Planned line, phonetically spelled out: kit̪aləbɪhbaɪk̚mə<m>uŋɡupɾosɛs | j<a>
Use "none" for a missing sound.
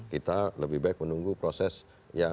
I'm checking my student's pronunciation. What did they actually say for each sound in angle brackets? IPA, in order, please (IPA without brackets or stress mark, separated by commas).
n, a